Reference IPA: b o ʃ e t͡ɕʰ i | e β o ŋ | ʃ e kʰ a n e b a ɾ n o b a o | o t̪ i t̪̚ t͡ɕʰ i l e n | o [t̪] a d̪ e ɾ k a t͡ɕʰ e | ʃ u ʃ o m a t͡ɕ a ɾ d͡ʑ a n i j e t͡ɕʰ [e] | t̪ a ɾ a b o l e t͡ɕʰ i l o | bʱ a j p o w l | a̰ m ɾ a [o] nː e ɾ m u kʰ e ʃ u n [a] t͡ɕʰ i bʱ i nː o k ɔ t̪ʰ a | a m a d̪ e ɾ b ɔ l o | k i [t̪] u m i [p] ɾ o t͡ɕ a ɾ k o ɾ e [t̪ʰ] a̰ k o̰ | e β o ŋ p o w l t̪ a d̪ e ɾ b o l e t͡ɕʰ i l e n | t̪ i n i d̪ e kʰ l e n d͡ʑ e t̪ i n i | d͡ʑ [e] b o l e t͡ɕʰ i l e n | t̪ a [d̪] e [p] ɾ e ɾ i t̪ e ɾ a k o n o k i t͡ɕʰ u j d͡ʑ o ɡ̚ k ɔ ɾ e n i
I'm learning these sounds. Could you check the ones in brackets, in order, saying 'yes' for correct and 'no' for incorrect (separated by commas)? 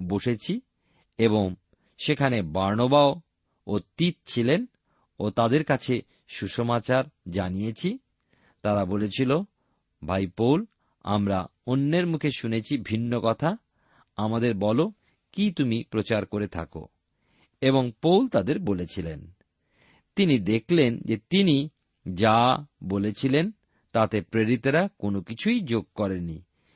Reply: yes, no, yes, no, yes, yes, yes, no, no, yes